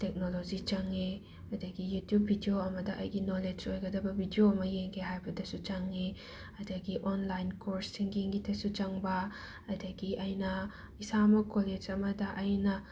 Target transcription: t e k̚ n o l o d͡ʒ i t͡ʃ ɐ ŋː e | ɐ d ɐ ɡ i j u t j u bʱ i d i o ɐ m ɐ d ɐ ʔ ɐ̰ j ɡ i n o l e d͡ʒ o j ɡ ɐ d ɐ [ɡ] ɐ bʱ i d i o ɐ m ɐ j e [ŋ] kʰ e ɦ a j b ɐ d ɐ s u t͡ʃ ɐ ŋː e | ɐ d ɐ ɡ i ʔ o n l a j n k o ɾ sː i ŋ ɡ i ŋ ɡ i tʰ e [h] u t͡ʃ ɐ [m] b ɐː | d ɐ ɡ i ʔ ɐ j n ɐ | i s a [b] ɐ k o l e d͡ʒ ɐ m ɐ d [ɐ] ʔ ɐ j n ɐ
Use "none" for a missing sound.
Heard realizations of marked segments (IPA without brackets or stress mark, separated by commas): b, ŋ, s, ŋ, m, ɐ